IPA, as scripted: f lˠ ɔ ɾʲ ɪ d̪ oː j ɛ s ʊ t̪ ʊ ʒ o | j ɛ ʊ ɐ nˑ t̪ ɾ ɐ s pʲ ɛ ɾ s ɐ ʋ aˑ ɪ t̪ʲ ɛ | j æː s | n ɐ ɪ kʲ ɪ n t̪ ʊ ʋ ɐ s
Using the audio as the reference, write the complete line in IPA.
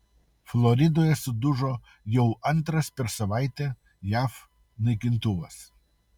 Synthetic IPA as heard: f lˠ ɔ ɾʲ ɪ d̪ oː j ɛ s ʊ d̪ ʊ ʒ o | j ɛ ʊ ɐ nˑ t̪ ɾ ɐ s pʲ ɛ ɾ s ɐ ʋ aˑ ɪ t̪ʲ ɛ | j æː f | n ɐ ɪ kʲ ɪ n t̪ ʊ ʋ ɐ s